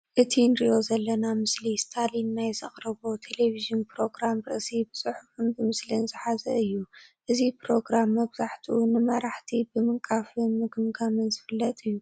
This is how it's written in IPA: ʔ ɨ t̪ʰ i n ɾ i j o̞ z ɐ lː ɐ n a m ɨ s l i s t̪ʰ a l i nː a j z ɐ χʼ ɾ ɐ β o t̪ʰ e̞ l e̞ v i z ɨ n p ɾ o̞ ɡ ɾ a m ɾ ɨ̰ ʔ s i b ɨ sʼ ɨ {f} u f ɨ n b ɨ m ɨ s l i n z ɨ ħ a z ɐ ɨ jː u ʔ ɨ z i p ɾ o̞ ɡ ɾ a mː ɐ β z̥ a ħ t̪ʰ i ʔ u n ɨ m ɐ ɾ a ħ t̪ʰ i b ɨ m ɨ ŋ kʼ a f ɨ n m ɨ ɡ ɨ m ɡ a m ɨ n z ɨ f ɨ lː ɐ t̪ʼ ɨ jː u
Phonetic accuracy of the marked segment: incorrect: ħ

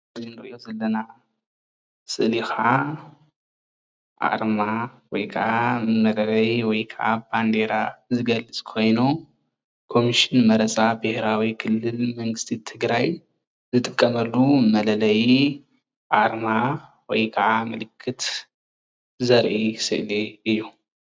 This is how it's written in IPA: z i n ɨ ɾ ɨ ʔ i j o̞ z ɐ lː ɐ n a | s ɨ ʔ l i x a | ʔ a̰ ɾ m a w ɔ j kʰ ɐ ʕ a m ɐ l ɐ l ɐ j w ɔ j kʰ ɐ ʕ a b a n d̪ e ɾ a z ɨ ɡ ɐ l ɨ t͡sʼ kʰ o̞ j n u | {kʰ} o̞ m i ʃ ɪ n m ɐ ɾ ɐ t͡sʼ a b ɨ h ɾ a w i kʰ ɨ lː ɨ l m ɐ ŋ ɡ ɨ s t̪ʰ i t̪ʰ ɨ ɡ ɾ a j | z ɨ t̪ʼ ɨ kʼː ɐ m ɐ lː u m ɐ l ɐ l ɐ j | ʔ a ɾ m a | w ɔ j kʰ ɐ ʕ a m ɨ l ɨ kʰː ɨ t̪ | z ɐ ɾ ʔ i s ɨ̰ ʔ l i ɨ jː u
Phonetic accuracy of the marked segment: correct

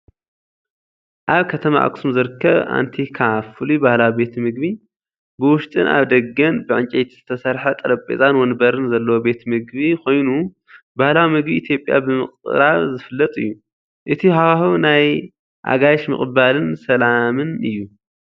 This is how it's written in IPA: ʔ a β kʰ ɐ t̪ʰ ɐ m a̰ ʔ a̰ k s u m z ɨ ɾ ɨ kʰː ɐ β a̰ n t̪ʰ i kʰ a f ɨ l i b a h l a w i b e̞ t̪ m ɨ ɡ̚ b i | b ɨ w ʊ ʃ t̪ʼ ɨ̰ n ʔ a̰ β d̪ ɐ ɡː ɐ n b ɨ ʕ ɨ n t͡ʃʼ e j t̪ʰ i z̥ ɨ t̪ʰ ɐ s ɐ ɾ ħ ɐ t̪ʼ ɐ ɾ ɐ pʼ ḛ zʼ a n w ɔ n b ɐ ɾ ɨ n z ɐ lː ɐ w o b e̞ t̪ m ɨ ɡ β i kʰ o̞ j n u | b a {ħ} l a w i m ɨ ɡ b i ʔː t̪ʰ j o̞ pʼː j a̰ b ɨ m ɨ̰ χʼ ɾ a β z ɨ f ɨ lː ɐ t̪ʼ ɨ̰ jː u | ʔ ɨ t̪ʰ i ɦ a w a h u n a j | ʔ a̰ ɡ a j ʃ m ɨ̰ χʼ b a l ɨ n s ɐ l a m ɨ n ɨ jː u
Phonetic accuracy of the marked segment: incorrect: h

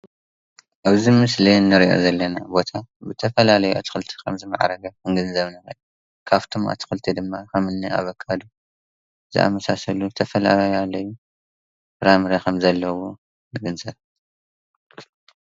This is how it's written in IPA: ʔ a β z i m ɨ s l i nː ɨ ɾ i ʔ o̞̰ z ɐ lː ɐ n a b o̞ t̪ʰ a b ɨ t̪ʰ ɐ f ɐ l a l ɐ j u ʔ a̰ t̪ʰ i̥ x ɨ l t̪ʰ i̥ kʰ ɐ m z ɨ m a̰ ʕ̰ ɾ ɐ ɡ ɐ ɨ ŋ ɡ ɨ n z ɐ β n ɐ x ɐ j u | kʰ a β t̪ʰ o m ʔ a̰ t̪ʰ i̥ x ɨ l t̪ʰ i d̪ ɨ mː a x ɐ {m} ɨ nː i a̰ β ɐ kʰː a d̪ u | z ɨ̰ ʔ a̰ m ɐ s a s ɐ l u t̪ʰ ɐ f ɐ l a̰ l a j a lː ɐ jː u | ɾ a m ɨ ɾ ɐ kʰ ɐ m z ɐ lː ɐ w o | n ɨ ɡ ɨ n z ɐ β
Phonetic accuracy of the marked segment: correct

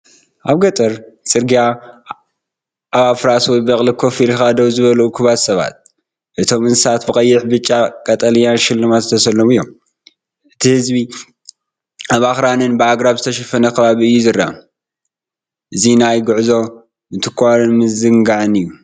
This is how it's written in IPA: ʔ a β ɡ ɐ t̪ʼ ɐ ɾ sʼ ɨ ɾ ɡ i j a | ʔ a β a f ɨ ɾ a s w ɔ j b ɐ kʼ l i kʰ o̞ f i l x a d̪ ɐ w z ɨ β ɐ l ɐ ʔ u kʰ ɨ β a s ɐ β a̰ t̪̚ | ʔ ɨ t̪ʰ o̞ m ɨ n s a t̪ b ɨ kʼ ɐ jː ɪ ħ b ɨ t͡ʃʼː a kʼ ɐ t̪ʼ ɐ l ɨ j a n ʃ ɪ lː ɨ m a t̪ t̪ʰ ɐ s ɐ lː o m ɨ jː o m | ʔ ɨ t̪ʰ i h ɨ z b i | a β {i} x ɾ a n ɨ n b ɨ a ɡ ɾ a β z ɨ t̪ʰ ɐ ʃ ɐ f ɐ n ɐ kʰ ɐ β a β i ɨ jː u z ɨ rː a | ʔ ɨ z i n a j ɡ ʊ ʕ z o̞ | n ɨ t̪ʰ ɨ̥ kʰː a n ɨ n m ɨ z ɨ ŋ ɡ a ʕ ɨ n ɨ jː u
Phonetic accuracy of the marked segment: incorrect: a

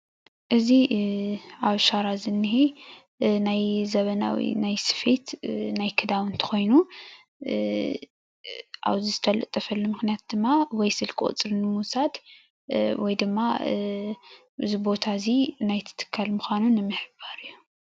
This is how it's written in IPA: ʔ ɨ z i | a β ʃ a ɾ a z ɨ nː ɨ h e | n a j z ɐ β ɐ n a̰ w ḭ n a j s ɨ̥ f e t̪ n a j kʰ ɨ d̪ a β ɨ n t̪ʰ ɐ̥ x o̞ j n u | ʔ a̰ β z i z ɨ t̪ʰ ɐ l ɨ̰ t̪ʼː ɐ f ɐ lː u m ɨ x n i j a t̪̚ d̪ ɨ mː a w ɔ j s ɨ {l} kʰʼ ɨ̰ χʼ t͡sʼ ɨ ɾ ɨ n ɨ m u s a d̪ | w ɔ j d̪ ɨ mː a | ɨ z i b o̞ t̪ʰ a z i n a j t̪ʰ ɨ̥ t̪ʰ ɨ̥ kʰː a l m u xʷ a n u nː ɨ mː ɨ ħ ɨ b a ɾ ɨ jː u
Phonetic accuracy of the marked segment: correct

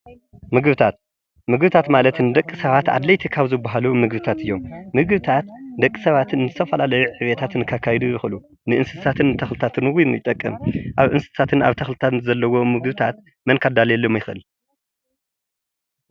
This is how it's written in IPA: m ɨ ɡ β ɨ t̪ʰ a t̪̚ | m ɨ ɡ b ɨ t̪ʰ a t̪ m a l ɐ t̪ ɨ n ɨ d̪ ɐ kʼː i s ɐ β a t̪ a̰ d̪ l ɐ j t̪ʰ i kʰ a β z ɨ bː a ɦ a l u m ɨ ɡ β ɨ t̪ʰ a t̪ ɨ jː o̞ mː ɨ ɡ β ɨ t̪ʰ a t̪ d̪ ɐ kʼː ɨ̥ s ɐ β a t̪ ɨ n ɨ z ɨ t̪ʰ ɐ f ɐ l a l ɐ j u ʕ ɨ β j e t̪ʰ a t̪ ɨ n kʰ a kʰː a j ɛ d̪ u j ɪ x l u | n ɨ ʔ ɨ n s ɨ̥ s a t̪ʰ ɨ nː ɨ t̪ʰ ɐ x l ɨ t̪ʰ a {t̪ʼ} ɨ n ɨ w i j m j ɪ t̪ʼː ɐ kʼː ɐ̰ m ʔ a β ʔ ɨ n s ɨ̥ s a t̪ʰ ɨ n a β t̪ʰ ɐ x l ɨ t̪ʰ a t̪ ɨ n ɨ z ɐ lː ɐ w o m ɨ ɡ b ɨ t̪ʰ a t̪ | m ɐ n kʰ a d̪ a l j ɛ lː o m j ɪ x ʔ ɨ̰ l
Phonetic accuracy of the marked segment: incorrect: t̪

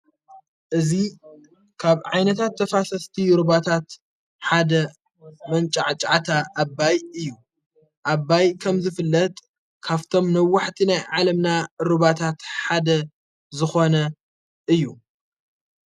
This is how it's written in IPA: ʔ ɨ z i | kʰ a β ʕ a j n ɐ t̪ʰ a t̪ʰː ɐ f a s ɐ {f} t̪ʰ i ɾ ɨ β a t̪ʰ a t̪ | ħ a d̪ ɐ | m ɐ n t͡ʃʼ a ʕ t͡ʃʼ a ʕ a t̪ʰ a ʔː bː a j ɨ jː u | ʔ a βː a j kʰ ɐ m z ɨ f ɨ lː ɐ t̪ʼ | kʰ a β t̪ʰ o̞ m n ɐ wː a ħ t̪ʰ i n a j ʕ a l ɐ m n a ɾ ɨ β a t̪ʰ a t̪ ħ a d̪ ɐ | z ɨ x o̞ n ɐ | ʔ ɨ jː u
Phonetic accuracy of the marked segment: incorrect: s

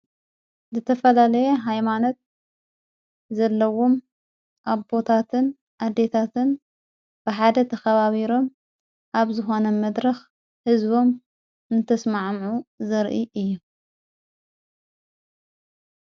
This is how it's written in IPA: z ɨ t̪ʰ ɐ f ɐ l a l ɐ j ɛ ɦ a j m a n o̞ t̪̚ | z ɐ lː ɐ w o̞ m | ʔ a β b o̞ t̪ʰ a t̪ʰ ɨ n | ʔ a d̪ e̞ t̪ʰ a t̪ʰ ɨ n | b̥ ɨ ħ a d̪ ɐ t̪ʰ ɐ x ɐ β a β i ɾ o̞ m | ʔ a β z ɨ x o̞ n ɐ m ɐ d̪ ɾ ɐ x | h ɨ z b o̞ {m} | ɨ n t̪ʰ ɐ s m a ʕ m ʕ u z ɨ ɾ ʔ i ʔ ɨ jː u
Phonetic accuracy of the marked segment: correct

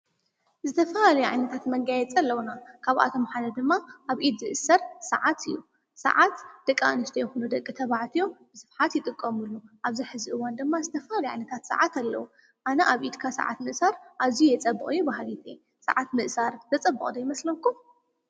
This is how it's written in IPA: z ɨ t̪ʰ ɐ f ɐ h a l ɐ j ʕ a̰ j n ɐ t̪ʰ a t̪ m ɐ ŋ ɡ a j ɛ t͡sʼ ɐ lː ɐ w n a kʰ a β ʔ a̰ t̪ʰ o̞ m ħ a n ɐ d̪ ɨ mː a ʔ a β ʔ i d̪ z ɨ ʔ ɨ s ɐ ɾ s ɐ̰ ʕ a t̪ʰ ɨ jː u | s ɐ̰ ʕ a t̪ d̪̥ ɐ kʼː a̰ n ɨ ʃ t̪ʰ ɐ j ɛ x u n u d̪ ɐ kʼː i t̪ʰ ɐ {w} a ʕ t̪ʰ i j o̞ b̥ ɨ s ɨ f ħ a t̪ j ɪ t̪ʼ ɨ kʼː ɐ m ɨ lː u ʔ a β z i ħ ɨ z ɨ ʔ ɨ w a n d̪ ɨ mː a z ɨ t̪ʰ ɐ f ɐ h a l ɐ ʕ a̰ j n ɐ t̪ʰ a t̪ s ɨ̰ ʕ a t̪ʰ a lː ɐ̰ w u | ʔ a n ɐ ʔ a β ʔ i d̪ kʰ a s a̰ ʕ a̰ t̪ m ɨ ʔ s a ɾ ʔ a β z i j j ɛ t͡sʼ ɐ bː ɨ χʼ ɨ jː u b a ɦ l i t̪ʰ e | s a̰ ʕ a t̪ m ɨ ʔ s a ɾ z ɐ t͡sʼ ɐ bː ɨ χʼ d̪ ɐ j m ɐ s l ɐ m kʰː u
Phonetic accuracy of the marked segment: incorrect: β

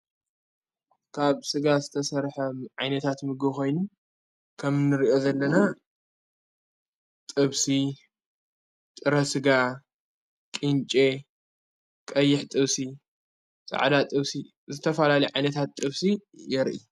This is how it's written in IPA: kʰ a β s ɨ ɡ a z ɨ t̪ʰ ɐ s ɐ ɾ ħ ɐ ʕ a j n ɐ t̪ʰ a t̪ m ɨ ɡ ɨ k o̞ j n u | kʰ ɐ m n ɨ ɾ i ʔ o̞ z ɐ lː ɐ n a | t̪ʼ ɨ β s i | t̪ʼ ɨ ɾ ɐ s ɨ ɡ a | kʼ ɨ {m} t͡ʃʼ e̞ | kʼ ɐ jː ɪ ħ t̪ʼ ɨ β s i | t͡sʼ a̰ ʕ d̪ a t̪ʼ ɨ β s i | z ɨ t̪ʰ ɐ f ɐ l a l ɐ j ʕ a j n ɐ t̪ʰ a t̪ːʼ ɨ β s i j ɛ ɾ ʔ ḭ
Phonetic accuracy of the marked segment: incorrect: n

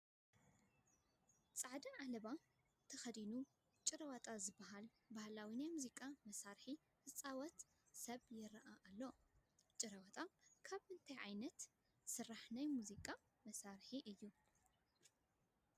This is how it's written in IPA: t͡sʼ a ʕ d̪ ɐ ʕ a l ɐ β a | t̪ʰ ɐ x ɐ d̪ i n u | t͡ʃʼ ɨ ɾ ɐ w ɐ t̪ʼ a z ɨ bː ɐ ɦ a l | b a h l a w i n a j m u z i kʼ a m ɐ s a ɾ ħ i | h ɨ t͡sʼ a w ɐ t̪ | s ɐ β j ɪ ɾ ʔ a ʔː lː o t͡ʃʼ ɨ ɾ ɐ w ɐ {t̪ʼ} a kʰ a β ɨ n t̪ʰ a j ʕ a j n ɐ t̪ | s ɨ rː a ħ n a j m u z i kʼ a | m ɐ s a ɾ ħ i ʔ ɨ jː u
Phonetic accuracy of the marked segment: correct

